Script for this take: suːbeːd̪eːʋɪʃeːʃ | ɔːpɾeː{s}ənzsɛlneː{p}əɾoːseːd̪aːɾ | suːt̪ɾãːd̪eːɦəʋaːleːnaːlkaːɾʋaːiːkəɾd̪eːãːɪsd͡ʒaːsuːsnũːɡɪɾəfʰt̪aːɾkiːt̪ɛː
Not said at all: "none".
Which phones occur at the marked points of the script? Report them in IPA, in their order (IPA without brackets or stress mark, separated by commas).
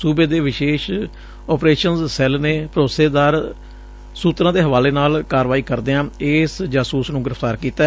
ʃ, p